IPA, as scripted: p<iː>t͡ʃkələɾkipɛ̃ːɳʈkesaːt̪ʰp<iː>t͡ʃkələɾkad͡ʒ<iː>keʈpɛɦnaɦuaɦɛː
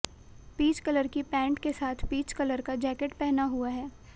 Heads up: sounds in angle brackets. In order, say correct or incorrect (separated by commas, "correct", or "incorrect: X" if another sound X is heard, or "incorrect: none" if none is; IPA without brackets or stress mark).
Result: correct, correct, incorrect: ɛː